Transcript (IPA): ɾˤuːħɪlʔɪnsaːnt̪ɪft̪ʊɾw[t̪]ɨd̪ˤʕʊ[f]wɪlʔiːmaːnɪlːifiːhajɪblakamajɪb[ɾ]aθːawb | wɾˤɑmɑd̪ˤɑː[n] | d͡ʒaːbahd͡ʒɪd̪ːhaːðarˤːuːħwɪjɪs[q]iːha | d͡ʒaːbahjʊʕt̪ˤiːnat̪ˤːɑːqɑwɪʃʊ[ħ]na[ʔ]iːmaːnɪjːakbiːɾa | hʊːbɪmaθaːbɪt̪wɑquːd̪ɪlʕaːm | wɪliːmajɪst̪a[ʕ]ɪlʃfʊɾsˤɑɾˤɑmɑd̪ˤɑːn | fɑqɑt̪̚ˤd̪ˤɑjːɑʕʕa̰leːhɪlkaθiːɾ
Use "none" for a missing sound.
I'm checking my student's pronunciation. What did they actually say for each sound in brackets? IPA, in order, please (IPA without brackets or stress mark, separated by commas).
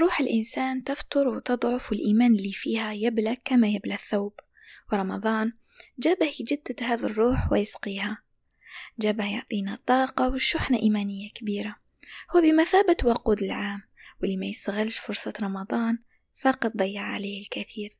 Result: t̪, f, l, n, q, ħ, ʔ, ɣ